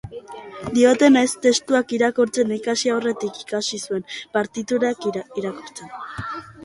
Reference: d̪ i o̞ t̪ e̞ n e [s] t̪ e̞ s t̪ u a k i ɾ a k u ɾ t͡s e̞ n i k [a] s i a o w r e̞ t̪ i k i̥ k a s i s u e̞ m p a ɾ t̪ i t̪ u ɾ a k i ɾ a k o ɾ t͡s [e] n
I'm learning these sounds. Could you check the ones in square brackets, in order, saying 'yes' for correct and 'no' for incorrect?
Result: yes, yes, yes

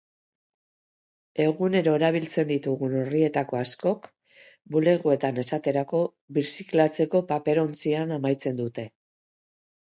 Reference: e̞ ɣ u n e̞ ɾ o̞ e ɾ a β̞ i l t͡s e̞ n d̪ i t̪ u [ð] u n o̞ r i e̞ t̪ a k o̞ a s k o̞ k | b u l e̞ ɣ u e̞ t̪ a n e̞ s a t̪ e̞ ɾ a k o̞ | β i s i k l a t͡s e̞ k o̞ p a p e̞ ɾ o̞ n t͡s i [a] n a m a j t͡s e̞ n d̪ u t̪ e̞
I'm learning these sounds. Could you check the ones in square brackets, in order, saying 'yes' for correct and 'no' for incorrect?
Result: no, yes

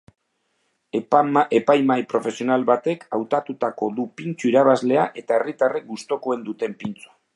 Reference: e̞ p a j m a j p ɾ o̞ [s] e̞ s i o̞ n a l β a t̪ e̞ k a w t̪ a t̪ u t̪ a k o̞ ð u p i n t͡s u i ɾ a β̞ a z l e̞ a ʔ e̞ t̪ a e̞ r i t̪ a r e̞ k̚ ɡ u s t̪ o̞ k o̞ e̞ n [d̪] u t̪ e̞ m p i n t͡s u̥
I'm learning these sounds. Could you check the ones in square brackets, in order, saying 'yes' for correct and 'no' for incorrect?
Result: no, yes

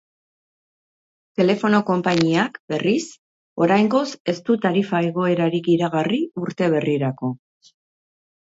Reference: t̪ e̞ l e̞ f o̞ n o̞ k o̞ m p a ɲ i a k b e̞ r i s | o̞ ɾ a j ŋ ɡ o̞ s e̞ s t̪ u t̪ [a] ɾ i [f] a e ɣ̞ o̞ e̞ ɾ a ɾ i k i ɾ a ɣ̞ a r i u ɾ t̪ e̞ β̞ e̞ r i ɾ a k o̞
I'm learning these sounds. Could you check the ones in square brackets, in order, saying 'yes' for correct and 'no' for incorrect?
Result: yes, yes

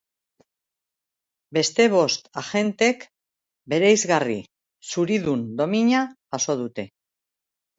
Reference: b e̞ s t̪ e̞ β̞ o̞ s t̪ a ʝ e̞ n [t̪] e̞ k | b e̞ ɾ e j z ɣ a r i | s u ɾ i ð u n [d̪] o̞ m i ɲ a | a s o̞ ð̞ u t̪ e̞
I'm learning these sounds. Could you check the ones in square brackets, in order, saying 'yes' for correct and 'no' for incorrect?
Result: yes, yes

